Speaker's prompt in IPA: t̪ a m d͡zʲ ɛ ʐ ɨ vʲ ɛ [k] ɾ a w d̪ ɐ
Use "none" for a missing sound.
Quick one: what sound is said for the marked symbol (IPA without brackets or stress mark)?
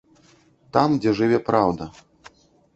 p